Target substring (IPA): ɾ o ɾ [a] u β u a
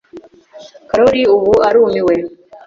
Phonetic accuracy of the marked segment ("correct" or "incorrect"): incorrect